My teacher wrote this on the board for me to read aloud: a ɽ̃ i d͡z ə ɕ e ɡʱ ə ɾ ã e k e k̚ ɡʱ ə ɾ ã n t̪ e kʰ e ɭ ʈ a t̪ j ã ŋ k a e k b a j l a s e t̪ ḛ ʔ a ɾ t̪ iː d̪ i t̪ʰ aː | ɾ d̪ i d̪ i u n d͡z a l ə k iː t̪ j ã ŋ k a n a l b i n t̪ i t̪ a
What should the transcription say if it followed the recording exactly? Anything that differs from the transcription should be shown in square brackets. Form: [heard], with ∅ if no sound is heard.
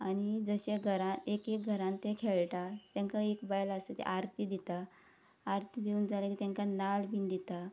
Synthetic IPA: a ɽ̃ i d͡z ə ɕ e ɡʱ ə ɾ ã e k e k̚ ɡʱ ə ɾ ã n t̪ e kʰ e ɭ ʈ a t̪ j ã ŋ k a e k b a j l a s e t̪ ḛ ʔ a ɾ t̪ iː d̪ i [t̪] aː | ɾ [t̪] i d̪ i u n d͡z a l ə k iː t̪ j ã ŋ k a n a l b i n [d̪] i t̪ a